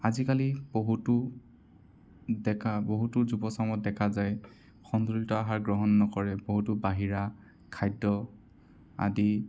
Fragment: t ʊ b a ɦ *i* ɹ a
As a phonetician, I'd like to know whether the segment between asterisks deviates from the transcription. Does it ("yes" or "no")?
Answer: no